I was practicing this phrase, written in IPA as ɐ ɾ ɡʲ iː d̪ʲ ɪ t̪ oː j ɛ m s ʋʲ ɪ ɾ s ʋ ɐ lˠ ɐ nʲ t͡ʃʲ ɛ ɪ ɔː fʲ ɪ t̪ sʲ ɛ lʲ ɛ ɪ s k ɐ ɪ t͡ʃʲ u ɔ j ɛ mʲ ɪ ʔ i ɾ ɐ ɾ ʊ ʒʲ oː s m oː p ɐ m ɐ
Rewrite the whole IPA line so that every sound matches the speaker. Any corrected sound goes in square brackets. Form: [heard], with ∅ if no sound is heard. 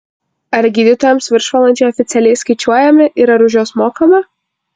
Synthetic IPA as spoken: ɐ ɾ ɡʲ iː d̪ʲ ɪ t̪ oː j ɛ m s ʋʲ ɪ ɾ [ʃ] ʋ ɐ lˠ ɐ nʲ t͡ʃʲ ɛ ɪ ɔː fʲ ɪ t̪ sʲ ɛ lʲ ɛ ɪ s k ɐ ɪ t͡ʃʲ u ɔ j ɛ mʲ ɪ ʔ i ɾ ɐ ɾ ʊ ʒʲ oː s m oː [k] ɐ m ɐ